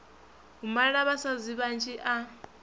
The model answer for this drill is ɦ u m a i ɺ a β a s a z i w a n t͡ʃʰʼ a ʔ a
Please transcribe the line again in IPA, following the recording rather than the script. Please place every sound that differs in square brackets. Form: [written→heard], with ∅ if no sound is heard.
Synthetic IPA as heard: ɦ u m a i ɺ a β a s a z i [w→β] a n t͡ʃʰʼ [a→i] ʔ a